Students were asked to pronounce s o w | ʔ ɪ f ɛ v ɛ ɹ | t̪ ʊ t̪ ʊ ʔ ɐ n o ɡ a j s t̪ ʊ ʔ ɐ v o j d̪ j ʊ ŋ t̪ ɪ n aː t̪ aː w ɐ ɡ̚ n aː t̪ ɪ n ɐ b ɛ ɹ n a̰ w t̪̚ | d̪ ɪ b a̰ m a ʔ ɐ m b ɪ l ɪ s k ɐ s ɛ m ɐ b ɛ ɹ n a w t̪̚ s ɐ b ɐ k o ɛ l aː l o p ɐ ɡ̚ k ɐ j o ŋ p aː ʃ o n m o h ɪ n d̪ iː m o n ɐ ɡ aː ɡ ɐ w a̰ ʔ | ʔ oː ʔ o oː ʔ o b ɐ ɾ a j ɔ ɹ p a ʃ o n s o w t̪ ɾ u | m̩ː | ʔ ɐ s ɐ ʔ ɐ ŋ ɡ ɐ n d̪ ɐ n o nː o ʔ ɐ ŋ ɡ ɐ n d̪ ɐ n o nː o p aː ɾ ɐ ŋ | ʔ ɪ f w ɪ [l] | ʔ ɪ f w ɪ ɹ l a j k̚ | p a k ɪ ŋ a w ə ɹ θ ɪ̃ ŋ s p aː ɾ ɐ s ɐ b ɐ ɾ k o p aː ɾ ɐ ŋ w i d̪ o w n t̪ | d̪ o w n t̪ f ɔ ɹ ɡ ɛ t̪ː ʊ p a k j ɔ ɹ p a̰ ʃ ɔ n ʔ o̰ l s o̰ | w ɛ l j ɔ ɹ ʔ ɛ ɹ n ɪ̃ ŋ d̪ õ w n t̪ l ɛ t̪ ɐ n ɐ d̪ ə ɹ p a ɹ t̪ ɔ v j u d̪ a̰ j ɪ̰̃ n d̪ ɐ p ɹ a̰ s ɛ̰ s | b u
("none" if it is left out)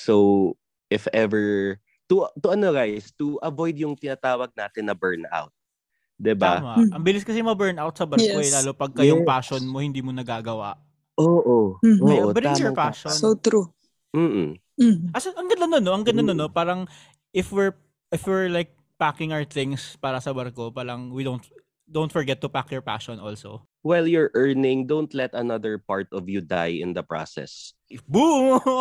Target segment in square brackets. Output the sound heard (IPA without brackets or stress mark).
ɹ